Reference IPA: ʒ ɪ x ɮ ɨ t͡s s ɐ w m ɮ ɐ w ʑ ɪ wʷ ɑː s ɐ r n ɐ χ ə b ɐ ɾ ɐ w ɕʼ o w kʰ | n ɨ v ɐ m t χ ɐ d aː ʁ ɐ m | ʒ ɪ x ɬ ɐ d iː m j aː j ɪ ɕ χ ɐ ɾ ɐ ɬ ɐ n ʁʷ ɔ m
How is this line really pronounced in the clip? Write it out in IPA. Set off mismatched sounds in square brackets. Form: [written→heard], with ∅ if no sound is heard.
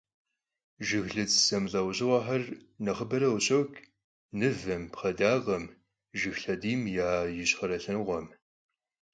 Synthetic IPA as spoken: ʒ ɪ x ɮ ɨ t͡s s ɐ [w→∅] m ɮ ɐ w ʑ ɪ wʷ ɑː [s→ħ] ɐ r n ɐ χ ə b ɐ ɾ ɐ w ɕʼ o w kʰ | n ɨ v ɐ m [t→p] χ ɐ d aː ʁ ɐ m | ʒ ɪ x ɬ ɐ d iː m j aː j ɪ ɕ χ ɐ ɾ ɐ ɬ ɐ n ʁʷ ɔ m